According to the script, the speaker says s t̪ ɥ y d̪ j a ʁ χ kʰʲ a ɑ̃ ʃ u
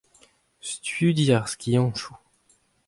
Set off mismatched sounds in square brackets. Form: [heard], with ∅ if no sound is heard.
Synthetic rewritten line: s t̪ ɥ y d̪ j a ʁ [s] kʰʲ [i] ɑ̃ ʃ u

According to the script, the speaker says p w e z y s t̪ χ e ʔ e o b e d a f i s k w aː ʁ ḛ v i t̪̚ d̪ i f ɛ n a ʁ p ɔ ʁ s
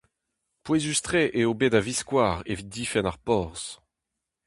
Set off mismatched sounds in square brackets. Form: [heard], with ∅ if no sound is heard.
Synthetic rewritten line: p w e z y s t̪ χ e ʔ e o b e d a [v] i s k w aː ʁ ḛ v i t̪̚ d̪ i f ɛ n a ʁ p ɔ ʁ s

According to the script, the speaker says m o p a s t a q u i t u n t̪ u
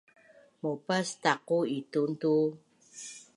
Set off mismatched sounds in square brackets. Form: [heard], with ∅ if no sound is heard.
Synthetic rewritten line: m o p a s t a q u i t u n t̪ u

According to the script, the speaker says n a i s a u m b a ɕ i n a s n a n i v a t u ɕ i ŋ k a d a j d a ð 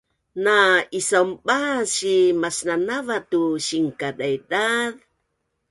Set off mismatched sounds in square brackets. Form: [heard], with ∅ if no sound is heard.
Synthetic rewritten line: n a i s a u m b a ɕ i [m] a s n a n [a] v a t u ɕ i ŋ k a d a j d a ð

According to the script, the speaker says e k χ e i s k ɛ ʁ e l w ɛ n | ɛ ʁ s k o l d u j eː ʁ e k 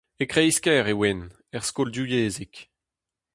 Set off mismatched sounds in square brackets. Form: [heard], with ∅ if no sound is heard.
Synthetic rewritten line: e k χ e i s k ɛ ʁ e [∅] w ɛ n | ɛ ʁ s k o l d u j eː [z] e k

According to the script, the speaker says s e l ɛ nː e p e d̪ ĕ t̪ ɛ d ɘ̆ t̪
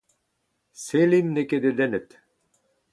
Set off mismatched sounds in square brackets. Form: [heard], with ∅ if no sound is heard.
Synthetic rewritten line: s e l [i] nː e [k] e d̪ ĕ [d̪] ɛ [n] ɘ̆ t̪

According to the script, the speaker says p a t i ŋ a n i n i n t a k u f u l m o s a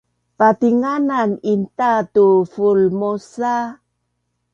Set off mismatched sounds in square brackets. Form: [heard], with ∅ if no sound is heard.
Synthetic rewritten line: p a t i ŋ a n [a] n i n t a [t] u f u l m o s a

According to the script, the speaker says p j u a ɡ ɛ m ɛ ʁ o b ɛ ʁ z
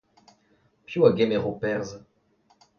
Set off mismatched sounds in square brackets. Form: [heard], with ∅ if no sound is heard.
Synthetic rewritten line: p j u a ɡ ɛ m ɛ ʁ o [p] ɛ ʁ z

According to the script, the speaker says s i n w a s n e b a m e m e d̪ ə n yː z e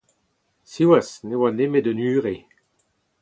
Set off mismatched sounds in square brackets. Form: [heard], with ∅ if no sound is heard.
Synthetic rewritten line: s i [∅] w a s n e [w] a [n] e m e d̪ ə n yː [ʁ] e

